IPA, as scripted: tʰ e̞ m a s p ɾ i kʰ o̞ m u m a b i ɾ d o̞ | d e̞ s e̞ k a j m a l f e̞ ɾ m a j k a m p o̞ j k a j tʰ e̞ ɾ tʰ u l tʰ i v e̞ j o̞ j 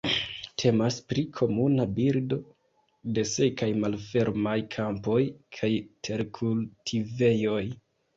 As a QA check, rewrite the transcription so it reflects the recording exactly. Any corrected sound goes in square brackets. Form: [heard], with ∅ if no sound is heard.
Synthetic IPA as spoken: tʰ e̞ m a s p ɾ i kʰ o̞ m u [n] a b i ɾ d o̞ | d e̞ s e̞ k a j m a l f e̞ ɾ m a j [kʰ] a m p o̞ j [kʰ] a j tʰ e̞ ɾ [kʰ] u l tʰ i v e̞ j o̞ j

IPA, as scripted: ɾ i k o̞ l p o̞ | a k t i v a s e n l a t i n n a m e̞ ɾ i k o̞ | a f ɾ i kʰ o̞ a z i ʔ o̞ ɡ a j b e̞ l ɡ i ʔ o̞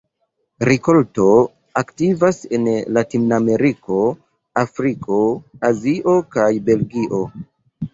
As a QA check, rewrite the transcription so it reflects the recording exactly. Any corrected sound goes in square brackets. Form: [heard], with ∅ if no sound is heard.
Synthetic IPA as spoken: ɾ i k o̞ l [t] o̞ | a k t i v a s e n l a t i n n a m e̞ ɾ i k o̞ | a f ɾ i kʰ o̞ a z i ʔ o̞ [k] a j b e̞ l ɡ i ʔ o̞

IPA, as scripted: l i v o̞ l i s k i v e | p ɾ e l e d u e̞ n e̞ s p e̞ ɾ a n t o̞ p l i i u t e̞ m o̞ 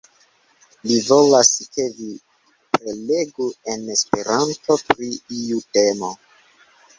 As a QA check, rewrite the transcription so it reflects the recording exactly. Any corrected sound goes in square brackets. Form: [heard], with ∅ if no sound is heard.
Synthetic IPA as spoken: l i v o̞ l [a] s k [e] v [i] | p ɾ e l e [ɡ] u e̞ n e̞ s p e̞ ɾ a n t o̞ p [ɾ] i i u t e̞ m o̞

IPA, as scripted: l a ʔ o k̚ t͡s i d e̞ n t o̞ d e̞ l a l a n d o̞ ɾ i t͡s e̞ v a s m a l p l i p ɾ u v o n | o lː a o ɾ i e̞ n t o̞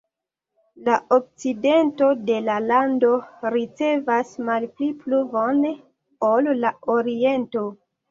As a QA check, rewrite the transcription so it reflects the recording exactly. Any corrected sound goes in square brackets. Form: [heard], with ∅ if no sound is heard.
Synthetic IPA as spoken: l a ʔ o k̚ t͡s i d e̞ n t o̞ d e̞ l a l a n d o̞ ɾ i t͡s e̞ v a s m a l p l i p [l] u v o n | o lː a o ɾ i e̞ n t o̞

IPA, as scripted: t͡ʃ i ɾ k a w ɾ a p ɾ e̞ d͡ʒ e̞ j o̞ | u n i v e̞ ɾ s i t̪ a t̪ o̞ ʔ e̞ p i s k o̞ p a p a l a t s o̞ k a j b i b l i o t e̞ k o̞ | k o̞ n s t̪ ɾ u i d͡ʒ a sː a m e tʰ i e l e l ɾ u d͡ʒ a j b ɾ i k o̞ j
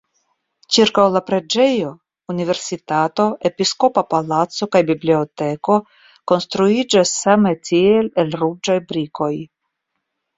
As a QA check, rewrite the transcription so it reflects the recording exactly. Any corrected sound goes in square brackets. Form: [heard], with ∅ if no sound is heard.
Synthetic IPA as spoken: t͡ʃ i ɾ k a w [l] a p ɾ e̞ d͡ʒ e̞ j o̞ | u n i v e̞ ɾ s i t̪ a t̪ o̞ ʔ e̞ p i s k o̞ p a p a l a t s o̞ k a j b i b l i o t e̞ k o̞ | k o̞ n s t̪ ɾ u i d͡ʒ a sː a m e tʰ i e l e l ɾ u d͡ʒ a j b ɾ i k o̞ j

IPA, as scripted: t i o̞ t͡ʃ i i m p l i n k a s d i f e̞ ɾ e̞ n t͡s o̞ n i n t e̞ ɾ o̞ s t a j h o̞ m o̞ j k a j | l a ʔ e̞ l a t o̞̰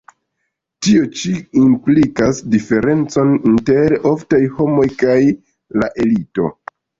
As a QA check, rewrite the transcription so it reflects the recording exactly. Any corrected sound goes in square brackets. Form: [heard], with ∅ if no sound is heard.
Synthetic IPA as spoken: t i o̞ t͡ʃ i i m p l i [∅] k a s d i f e̞ ɾ e̞ n t͡s o̞ n i n t e̞ ɾ o̞ [f] t a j h o̞ m o̞ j k a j | l a ʔ e̞ l [i] t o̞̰

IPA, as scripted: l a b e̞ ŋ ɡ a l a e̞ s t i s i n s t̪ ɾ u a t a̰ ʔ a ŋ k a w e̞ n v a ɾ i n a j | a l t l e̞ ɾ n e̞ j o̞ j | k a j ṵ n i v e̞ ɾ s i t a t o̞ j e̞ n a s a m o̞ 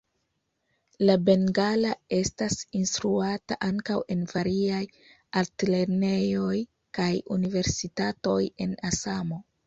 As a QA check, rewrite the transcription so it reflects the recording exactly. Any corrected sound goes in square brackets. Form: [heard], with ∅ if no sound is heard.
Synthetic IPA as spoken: l a b e̞ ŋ ɡ a l a e̞ s t [a] s i n s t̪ ɾ u a t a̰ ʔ a ŋ k a w e̞ n v a ɾ i [∅] a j | a l t l e̞ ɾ n e̞ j o̞ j | k a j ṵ n i v e̞ ɾ s i t a t o̞ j e̞ n a s a m o̞

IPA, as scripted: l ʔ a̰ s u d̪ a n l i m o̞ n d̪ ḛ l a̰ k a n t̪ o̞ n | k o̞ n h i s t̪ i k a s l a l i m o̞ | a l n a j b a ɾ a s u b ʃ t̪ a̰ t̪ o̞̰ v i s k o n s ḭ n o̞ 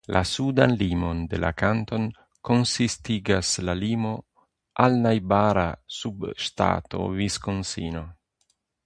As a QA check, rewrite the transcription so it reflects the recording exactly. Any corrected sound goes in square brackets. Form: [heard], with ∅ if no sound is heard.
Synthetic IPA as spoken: l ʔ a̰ s u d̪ a n l i m o̞ n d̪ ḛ l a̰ k a n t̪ o̞ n | k o̞ n [s] i s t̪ i [ɡ] a s l a l i m o̞ | a l n a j b a ɾ a s u b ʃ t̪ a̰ t̪ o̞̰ v i s k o n s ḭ n o̞

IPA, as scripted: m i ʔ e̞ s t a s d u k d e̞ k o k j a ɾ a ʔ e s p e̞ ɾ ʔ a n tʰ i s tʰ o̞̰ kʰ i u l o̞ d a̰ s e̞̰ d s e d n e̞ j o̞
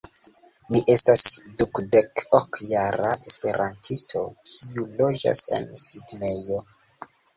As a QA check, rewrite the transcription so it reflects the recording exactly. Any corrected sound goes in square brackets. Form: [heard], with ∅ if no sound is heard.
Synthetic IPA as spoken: m i ʔ e̞ s t a s d u k d e̞ k o k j a ɾ a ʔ e s p e̞ ɾ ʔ a n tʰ i s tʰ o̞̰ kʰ i u l o̞ [d͡ʒ] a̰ s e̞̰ [n] s [i] d n e̞ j o̞

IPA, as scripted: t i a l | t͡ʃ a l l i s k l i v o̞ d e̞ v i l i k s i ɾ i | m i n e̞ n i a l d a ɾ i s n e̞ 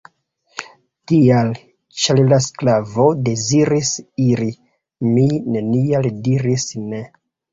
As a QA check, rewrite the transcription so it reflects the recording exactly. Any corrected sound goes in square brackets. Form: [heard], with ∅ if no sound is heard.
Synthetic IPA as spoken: t i a l | t͡ʃ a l l [a] s k l [a] v o̞ d e̞ [z] i [ɾ] i [∅] s i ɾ i | m i n e̞ n i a l d [i] ɾ i s n e̞

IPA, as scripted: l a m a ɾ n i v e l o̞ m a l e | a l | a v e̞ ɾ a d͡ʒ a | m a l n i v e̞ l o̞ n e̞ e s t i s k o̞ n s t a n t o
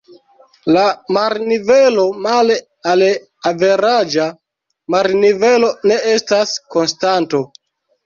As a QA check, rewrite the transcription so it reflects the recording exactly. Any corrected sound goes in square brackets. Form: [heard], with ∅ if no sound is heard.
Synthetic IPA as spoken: l a m a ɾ n i v e l o̞ m a l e | a l | a v e̞ ɾ a d͡ʒ a | m a [ɾ] n i v e̞ l o̞ n e̞ e s t [a] s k o̞ n s t a n t o

